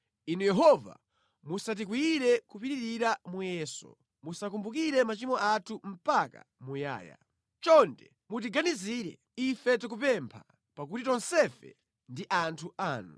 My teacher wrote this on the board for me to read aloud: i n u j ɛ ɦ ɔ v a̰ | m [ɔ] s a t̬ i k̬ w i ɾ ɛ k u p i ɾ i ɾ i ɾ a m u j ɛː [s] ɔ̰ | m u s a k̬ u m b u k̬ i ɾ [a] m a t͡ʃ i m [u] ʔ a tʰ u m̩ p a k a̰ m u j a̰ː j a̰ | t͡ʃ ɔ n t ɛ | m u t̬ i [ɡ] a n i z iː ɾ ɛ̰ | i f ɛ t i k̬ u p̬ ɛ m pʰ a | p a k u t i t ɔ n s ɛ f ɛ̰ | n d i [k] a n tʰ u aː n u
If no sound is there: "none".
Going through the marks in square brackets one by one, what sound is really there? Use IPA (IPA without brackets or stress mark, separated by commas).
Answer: u, s, ɛ, ɔ, ɡ, ʔ